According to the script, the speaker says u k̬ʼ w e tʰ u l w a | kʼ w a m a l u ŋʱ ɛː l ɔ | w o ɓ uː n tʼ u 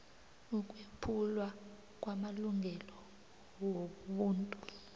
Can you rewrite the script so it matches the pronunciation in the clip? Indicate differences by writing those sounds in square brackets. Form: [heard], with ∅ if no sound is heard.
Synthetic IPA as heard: u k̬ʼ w e [pʰ] u l w a | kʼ w a m a l u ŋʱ [ɛ] l ɔ | w o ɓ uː n tʼ u